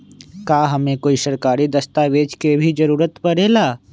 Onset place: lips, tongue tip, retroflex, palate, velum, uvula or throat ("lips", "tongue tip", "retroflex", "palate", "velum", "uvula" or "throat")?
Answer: velum